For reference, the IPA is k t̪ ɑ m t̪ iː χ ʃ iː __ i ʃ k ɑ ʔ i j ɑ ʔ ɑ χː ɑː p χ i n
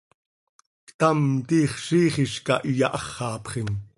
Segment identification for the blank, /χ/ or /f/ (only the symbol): χ